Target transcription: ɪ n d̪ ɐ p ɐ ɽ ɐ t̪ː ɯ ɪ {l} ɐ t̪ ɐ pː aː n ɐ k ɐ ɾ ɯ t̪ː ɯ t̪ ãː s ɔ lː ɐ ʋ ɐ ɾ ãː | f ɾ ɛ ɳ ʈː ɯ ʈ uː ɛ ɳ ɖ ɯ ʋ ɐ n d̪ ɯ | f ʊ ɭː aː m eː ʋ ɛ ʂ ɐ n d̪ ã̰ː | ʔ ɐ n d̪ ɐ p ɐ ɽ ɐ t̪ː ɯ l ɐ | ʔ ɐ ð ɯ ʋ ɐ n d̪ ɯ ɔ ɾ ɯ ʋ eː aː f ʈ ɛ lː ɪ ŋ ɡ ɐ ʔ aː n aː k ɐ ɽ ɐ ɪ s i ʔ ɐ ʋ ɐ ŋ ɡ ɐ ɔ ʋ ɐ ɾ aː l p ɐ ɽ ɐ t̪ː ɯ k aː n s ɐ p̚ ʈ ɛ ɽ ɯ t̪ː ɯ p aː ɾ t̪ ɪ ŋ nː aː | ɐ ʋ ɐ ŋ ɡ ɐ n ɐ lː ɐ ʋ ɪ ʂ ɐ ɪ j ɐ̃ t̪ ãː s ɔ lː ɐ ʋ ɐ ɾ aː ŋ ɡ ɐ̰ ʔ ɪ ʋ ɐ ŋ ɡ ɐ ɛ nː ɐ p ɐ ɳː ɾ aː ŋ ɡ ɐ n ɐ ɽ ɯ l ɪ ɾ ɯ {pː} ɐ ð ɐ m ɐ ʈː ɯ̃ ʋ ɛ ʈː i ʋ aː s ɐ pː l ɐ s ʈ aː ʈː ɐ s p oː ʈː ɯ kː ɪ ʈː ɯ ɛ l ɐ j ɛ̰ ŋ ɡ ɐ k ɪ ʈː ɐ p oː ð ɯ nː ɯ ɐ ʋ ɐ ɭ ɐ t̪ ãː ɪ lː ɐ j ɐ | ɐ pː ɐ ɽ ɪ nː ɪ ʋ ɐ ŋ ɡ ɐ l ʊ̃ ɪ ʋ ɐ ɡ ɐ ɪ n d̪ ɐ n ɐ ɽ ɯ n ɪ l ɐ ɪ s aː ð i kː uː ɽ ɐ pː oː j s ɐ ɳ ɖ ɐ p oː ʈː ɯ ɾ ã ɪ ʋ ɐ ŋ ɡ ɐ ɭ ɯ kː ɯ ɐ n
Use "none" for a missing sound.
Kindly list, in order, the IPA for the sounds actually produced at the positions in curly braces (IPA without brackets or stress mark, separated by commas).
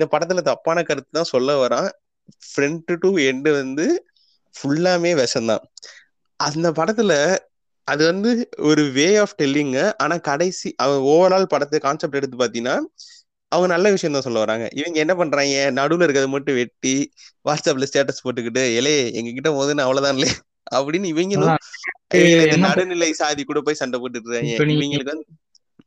l, kː